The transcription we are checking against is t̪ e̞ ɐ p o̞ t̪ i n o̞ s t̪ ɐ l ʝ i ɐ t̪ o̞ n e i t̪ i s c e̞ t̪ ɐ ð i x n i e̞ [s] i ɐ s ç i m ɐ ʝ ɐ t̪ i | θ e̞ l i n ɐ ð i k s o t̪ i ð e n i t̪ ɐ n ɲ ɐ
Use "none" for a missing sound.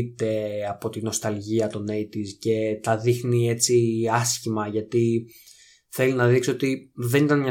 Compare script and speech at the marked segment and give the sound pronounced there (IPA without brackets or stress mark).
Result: t͡s